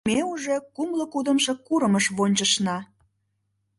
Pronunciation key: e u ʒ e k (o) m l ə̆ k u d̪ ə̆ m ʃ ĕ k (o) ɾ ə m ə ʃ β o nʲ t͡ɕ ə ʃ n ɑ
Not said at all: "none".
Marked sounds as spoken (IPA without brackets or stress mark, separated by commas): u, u